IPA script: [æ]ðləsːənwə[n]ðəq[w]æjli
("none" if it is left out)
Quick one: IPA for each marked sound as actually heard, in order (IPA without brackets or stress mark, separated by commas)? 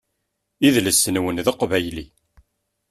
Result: i, n, v